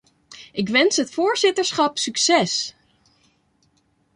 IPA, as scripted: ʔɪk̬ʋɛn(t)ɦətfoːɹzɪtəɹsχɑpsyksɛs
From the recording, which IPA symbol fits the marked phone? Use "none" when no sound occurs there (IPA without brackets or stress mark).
s